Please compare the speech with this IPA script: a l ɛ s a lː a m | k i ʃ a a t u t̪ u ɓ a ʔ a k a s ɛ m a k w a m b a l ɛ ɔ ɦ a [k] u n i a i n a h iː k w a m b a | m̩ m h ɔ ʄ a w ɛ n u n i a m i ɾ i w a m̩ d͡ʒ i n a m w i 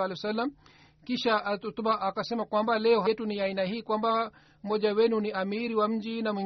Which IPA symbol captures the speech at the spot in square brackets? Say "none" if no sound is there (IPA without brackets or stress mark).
t